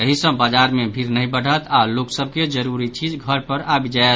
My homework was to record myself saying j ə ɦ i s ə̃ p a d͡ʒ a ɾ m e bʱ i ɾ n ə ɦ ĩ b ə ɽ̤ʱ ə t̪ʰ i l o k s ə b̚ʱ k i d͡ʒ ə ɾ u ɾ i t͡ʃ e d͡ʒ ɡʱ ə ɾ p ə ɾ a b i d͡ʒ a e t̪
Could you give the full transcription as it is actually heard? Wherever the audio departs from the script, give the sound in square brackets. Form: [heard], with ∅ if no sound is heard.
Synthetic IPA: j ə ɦ i s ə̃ [b] a d͡ʒ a ɾ m e bʱ i ɾ n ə ɦ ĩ b ə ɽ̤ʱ ə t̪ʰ [a] l o k s ə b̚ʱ k [e] d͡ʒ ə ɾ u ɾ i t͡ʃ [i] d͡ʒ ɡʱ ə ɾ p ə ɾ a b i d͡ʒ a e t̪